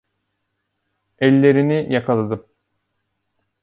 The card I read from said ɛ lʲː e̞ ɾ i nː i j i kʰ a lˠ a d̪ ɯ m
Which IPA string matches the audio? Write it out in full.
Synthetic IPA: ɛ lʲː e̞ ɾ i n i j a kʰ a lˠ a d̪ ɯ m